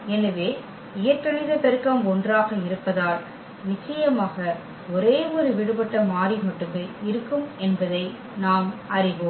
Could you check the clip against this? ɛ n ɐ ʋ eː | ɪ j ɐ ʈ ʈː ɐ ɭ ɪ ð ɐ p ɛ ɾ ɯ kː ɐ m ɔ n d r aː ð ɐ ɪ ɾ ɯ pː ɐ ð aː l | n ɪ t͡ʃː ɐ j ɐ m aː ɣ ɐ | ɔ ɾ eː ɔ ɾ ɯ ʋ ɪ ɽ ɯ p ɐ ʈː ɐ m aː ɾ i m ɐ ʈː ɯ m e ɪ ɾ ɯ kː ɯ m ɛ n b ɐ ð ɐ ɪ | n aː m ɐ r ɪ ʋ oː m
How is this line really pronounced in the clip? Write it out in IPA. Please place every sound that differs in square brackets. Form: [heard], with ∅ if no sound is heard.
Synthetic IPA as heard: ɛ n ɐ ʋ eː | ɪ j ɐ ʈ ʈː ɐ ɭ ɪ ð ɐ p ɛ ɾ ɯ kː ɐ m ɔ n d r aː [ɣ] ɐ ɪ ɾ ɯ pː ɐ ð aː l | n ɪ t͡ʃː ɐ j ɐ m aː ɣ ɐ | ɔ ɾ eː ɔ ɾ ɯ ʋ ɪ ɽ ɯ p ɐ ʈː ɐ m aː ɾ i m ɐ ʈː ɯ m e ɪ ɾ ɯ kː ɯ m ɛ n b ɐ ð ɐ ɪ | n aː m ɐ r ɪ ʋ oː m